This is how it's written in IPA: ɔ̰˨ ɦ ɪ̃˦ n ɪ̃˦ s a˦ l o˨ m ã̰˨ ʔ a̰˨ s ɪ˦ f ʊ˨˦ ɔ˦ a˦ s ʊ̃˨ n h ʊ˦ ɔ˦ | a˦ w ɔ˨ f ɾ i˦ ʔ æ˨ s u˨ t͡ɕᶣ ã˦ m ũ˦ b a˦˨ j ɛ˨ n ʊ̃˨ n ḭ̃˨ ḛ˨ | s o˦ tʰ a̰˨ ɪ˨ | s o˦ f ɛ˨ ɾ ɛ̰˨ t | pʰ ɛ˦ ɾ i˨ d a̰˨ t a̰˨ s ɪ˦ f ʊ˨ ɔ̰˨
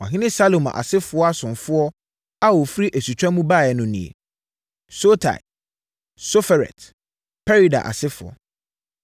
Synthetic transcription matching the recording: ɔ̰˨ ɦ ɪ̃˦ n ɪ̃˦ s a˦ l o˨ m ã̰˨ ʔ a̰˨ s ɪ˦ f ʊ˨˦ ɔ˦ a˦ s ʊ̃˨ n f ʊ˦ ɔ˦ | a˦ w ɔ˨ f ɾ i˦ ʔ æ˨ s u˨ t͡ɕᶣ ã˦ m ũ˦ b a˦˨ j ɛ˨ n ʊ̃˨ n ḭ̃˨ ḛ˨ | s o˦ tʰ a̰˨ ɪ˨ | s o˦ f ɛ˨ ɾ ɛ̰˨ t | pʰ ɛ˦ ɾ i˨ d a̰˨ ʔ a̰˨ s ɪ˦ f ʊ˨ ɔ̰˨